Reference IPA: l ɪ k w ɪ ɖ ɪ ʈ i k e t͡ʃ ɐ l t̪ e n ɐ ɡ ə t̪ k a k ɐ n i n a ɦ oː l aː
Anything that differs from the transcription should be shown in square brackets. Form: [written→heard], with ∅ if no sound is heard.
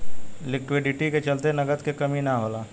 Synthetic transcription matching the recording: l ɪ k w ɪ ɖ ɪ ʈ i k e t͡ʃ ɐ l t̪ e n ɐ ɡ ə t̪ k [a→e] k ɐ [n→m] i n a ɦ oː l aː

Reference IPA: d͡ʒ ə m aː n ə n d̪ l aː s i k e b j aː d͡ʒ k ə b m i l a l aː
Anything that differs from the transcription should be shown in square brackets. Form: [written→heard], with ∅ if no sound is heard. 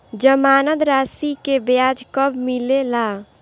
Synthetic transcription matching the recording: d͡ʒ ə m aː n ə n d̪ [l→ɾ] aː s i k e b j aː d͡ʒ k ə b m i l [a→e] l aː

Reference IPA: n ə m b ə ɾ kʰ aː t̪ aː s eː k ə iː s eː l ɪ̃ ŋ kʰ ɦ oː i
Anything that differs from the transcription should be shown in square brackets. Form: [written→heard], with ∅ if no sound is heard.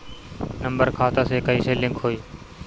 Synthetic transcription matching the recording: n ə m b ə ɾ kʰ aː t̪ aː s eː k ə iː s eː l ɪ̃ ŋ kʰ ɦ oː [i→iː]

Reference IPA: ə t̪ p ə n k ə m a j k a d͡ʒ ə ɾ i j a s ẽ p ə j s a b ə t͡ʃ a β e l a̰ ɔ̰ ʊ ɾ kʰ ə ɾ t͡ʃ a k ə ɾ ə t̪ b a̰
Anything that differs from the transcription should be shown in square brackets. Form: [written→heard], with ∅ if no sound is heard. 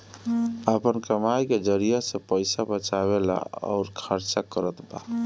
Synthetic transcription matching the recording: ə [t̪→∅] p ə n k ə m a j k [a→e] d͡ʒ ə ɾ i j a s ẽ p ə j s a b ə t͡ʃ a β e l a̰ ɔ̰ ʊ ɾ kʰ ə ɾ t͡ʃ a k ə ɾ ə t̪ b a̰

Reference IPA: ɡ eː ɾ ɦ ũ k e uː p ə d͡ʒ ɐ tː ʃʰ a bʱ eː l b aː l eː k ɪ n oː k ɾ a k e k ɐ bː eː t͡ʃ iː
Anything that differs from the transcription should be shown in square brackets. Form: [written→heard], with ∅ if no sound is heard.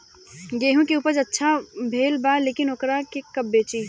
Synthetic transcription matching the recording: ɡ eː [ɾ→∅] ɦ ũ k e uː p ə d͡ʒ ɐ tː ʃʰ a bʱ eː l b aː l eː k ɪ n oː k ɾ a k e k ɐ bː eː t͡ʃ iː

